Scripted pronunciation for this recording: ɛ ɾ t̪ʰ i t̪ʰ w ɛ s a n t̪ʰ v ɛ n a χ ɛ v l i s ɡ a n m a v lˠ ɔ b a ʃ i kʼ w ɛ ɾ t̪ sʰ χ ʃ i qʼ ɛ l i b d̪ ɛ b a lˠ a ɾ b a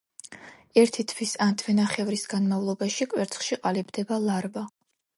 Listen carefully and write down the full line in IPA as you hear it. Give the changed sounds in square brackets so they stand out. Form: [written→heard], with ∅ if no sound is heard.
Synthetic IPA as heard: ɛ ɾ t̪ʰ i t̪ʰ w [ɛ→i] s a n t̪ʰ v ɛ n a χ ɛ v [l→ɾ] i s ɡ a n m a v lˠ ɔ b a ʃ i kʼ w ɛ ɾ t̪ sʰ χ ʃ i qʼ [ɛ→a] l i b d̪ ɛ b a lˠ a ɾ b a